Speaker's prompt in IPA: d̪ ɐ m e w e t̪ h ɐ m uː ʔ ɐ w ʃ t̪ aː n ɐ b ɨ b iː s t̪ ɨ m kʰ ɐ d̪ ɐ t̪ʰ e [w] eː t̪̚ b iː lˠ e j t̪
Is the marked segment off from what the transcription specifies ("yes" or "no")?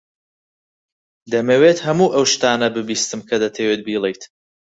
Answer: no